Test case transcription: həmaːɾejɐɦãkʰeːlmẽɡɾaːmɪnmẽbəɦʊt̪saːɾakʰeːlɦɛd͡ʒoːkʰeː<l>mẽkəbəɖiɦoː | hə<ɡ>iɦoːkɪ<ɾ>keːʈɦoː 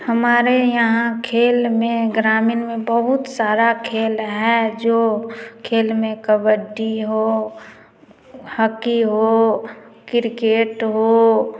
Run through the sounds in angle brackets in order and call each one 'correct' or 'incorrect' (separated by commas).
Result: correct, incorrect, correct